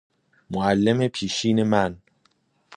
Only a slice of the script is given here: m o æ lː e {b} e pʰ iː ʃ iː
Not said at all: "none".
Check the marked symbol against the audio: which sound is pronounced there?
m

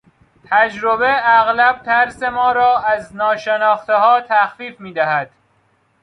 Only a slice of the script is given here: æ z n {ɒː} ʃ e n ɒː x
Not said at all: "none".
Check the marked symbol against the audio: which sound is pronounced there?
ɒː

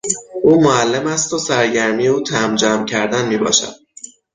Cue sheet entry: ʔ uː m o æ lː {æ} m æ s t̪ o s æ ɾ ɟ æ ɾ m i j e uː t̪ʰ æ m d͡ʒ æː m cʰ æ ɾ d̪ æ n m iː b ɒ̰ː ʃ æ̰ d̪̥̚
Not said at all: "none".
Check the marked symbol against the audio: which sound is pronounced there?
e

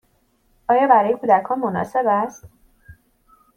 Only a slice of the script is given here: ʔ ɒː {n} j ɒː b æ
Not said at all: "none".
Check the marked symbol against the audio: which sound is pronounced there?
none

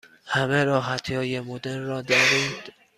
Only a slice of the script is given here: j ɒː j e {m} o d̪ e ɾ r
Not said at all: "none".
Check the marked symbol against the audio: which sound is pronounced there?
m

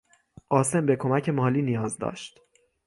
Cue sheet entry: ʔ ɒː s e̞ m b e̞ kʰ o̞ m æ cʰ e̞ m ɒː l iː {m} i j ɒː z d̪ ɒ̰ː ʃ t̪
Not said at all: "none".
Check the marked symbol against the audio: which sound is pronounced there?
n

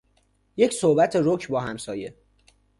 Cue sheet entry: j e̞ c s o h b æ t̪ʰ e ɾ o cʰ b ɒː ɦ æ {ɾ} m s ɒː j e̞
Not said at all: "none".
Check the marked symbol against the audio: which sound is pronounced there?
none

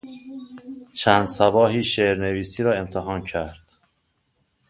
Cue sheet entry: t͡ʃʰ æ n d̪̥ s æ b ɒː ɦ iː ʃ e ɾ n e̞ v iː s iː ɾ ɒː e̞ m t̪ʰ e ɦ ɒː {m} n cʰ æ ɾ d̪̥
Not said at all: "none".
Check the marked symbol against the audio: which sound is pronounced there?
none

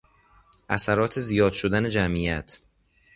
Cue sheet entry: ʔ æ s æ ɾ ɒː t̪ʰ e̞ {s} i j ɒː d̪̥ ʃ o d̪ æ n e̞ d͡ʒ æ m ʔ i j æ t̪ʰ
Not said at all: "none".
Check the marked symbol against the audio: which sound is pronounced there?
z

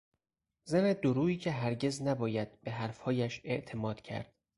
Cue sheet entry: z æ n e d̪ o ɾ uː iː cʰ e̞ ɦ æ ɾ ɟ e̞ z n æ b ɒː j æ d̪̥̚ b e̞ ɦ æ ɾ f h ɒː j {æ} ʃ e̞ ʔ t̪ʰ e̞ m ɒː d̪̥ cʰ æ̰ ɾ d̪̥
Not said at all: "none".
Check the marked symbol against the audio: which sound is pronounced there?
æ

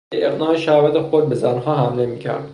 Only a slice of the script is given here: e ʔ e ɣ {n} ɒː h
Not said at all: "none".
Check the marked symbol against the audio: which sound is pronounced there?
n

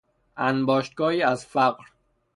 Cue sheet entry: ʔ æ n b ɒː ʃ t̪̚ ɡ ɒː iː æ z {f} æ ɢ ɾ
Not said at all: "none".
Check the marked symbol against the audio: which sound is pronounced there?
f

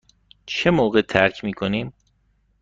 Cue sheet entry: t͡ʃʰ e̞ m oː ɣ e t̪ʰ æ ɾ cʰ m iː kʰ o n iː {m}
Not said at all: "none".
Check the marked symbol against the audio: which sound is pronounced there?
m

